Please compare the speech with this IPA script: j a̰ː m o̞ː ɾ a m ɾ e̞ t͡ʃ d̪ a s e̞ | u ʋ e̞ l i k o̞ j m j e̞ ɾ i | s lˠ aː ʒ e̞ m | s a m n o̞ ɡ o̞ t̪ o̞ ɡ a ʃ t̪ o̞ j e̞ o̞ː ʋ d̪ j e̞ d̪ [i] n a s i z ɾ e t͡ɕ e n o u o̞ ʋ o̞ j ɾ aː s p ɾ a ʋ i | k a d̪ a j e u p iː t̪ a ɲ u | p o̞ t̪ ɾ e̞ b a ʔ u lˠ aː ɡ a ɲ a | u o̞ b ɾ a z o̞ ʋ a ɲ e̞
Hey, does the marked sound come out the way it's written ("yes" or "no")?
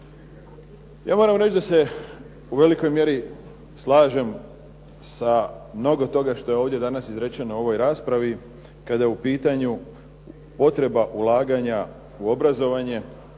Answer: no